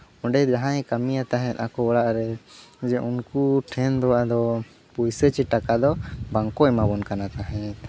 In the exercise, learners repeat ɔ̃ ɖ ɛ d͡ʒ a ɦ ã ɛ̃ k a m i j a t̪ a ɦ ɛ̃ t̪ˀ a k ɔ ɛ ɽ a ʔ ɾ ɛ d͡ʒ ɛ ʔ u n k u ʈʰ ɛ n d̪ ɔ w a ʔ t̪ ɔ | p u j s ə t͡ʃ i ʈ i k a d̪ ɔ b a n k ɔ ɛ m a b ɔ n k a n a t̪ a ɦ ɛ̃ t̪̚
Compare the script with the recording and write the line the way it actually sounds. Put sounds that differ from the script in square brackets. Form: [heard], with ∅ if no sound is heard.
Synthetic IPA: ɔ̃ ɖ ɛ d͡ʒ a ɦ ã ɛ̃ k a m i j a t̪ a ɦ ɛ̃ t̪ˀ a k ɔ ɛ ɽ a ʔ ɾ ɛ d͡ʒ ɛ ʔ u n k u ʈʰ ɛ n d̪ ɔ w a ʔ [d̪] ɔ | p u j s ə t͡ʃ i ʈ [a] k a d̪ ɔ b a [ŋ] k ɔ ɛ m a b ɔ n k a n a t̪ a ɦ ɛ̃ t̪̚